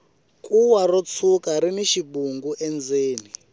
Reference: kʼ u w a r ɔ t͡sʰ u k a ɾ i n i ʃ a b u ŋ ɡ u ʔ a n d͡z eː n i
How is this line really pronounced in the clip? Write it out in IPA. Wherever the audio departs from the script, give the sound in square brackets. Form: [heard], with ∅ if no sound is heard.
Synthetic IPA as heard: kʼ u w a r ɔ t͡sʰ u k a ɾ i n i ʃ [i] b u ŋ ɡ u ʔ [ɛ] n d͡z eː n i